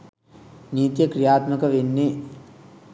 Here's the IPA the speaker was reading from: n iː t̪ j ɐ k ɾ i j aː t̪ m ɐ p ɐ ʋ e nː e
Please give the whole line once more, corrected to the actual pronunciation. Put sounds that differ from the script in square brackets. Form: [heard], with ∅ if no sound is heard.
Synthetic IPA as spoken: n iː t̪ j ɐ k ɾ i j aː t̪ m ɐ [k] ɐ ʋ e nː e